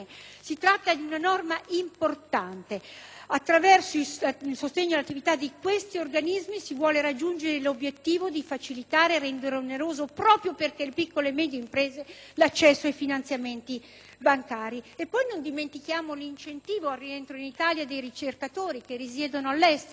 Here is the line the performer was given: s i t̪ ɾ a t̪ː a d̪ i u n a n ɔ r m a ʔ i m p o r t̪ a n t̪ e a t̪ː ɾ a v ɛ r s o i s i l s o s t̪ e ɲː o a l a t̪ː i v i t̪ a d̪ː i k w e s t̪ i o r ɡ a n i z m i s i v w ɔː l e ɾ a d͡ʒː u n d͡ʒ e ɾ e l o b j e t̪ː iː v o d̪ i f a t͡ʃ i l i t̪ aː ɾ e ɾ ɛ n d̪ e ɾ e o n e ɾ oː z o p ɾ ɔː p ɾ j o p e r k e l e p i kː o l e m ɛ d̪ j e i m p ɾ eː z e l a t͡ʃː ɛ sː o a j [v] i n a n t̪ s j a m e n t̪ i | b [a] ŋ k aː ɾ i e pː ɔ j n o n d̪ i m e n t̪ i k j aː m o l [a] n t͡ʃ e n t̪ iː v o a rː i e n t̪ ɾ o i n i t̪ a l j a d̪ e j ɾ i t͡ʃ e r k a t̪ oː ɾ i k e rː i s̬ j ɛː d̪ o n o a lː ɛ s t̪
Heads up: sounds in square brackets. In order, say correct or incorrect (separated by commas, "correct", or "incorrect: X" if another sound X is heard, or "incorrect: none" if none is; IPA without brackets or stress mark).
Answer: incorrect: f, correct, incorrect: i